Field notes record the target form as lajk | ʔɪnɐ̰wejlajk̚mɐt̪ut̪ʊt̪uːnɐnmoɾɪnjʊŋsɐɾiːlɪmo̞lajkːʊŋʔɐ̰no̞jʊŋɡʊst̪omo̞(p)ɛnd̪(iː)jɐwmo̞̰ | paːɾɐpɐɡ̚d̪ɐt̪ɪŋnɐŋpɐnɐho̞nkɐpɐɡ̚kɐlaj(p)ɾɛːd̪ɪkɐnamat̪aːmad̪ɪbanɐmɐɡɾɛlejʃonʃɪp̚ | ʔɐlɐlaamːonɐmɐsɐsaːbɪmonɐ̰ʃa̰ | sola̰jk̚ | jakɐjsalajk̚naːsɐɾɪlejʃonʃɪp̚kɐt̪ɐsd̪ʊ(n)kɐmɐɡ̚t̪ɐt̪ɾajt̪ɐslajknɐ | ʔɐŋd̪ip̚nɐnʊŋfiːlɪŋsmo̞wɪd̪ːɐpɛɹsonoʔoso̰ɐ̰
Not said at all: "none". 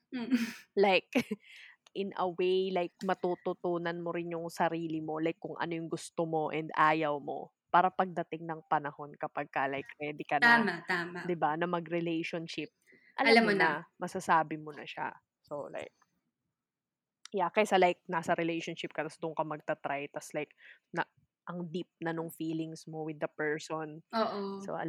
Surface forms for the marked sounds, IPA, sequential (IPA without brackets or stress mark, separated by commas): ʔ, aː, k, ŋ